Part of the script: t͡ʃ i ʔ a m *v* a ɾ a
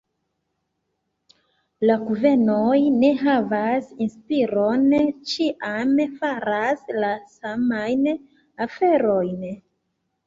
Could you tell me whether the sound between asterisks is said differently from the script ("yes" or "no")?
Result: yes